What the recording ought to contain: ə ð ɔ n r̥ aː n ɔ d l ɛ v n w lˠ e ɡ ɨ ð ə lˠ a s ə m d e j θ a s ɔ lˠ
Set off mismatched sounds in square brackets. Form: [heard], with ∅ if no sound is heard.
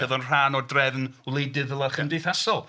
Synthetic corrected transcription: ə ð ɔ n r̥ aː n ɔ d [r] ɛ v n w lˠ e [d] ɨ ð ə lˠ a [χ] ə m d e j θ a s ɔ lˠ